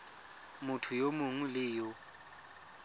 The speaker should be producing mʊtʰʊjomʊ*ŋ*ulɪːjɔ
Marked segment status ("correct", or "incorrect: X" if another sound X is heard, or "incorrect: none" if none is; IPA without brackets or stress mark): correct